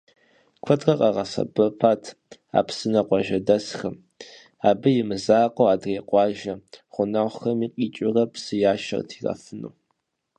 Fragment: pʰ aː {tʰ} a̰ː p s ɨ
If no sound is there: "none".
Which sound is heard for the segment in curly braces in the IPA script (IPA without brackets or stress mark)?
tʰ